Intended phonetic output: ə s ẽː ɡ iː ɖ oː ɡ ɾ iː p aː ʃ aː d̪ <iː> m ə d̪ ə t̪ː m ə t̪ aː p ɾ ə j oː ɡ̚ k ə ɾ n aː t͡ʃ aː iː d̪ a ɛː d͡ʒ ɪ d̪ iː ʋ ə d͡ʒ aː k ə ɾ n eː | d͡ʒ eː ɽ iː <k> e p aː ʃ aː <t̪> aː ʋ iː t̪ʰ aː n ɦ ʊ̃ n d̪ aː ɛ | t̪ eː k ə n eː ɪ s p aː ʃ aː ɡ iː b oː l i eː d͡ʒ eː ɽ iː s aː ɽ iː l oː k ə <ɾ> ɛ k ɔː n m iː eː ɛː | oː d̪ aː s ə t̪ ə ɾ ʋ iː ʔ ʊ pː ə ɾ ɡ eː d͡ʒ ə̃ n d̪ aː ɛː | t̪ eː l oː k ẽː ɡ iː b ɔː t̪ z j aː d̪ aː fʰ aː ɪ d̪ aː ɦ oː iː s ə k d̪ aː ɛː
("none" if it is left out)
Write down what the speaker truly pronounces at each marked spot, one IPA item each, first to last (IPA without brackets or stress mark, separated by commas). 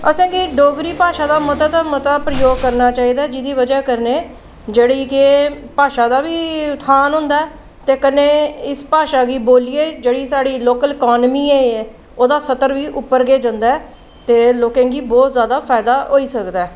aː, k, d̪, l